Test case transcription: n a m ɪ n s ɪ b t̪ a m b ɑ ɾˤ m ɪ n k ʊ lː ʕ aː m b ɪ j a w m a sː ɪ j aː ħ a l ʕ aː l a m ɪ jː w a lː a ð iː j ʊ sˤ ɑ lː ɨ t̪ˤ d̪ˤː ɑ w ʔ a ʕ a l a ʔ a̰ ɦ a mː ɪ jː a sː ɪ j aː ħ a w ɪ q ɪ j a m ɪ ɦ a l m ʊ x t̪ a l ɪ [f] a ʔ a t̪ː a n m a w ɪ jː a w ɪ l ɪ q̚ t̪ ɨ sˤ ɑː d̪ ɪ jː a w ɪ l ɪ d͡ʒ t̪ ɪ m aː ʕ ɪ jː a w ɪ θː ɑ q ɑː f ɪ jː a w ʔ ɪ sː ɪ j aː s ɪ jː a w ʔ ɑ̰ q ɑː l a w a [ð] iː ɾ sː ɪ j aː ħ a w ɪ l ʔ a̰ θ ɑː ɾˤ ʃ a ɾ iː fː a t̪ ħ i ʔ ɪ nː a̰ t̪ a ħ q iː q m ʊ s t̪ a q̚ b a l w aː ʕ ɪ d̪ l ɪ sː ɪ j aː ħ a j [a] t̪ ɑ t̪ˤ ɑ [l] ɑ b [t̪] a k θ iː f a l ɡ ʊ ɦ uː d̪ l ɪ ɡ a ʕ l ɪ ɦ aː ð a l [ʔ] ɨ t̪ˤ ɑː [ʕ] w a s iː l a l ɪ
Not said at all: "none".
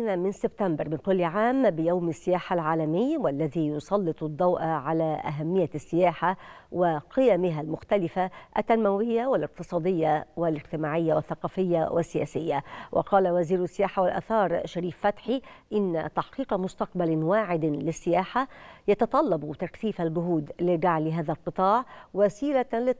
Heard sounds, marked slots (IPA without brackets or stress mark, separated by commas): f, z, ɑ, lː, t̪, q, ʕ